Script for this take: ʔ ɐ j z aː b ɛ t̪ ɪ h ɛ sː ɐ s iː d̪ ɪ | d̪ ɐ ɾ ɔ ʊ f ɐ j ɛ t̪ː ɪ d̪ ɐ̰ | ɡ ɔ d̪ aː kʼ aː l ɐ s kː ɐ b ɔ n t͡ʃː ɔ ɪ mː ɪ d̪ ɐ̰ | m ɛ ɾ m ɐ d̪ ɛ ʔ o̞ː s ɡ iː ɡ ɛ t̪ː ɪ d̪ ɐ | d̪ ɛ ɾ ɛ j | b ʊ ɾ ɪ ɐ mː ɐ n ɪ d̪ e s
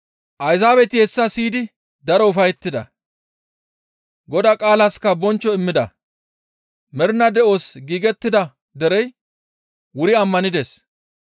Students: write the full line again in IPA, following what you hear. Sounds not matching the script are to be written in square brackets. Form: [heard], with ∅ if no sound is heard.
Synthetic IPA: ʔ ɐ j z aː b ɛ t̪ ɪ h ɛ sː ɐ s iː d̪ ɪ | d̪ ɐ ɾ ɔ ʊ f ɐ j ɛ t̪ː ɪ d̪ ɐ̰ | ɡ ɔ d̪ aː kʼ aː l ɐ s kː ɐ b ɔ n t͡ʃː ɔ ɪ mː ɪ d̪ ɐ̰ | m ɛ ɾ [n] ɐ d̪ ɛ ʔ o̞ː s ɡ iː ɡ ɛ t̪ː ɪ d̪ ɐ | d̪ ɛ ɾ ɛ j | [w] ʊ ɾ ɪ ɐ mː ɐ n ɪ d̪ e s